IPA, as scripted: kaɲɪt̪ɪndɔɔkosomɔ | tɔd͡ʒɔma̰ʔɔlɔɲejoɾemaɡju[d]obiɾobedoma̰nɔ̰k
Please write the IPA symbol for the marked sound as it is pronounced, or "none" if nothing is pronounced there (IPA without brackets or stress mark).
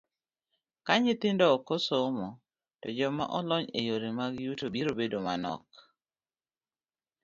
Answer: t